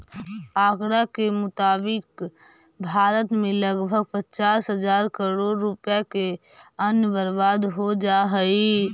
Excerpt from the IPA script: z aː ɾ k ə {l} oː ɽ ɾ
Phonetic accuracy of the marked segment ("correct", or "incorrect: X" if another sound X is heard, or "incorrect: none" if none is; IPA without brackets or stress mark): incorrect: ɾ